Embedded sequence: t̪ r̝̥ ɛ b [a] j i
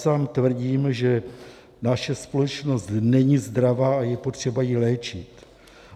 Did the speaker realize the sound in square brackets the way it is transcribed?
yes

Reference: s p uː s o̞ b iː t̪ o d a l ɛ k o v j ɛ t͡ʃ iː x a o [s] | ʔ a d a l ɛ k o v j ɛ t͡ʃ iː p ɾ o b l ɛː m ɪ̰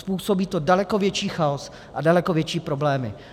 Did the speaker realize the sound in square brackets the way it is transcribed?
yes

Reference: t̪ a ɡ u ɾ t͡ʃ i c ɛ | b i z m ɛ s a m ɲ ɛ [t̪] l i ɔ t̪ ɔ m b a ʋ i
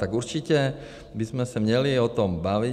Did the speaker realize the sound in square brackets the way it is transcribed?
no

